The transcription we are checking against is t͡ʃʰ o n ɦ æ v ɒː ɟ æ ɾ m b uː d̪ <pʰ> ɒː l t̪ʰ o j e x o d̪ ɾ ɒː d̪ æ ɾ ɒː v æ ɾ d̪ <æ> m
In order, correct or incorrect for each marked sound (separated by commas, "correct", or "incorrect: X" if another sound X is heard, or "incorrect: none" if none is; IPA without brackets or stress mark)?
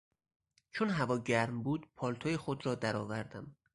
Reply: correct, correct